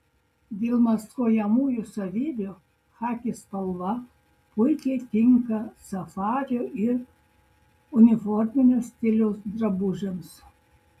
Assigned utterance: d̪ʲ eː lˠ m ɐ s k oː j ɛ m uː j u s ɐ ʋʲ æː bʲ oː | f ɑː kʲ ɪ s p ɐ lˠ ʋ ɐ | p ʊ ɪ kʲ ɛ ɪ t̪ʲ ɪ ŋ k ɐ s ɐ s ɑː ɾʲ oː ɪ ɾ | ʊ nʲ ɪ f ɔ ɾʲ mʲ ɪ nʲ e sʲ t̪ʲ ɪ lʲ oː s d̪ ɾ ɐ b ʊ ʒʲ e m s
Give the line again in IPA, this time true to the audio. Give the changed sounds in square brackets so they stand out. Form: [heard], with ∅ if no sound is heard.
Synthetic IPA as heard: d̪ʲ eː lˠ m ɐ s k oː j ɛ m uː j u s ɐ ʋʲ [iː] bʲ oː | [x] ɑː kʲ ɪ s p ɐ lˠ ʋ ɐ | p ʊ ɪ kʲ ɛ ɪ t̪ʲ ɪ ŋ k ɐ s ɐ [f] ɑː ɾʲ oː ɪ ɾ | ʊ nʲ ɪ f ɔ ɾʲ mʲ ɪ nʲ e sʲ t̪ʲ ɪ lʲ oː s d̪ ɾ ɐ b ʊ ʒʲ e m s